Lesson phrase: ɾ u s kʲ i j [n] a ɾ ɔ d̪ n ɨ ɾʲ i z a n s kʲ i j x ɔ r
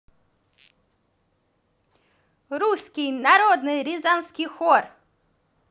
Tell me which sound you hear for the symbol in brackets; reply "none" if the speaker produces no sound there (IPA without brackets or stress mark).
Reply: n